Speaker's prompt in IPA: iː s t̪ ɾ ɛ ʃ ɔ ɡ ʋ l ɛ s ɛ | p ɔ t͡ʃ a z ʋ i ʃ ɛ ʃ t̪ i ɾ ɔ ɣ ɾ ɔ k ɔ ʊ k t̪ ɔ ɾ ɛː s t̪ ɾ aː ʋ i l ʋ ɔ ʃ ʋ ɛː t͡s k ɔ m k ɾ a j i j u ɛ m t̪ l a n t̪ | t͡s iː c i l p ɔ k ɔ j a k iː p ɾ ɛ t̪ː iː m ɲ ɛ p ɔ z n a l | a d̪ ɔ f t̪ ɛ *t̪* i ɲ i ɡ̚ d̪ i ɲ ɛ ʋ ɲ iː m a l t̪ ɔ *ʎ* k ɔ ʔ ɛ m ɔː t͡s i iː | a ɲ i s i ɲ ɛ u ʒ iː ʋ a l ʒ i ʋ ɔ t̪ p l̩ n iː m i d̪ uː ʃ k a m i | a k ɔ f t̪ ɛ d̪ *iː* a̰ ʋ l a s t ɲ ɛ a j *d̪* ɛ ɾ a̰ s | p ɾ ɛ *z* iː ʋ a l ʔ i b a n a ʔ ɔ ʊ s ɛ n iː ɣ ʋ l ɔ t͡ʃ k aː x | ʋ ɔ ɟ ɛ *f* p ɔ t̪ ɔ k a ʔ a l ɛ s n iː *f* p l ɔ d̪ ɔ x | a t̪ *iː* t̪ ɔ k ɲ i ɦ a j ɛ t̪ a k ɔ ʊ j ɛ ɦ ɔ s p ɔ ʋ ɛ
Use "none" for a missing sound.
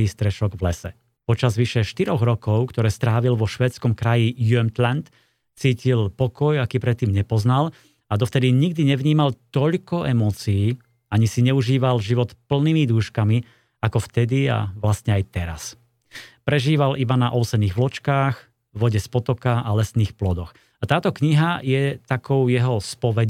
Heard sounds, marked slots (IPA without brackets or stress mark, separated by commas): d̪, ʎ, i, t̪, ʒ, s, x, aː